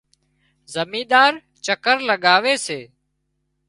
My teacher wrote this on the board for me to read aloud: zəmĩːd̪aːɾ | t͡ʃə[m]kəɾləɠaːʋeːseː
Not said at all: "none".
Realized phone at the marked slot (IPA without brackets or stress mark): none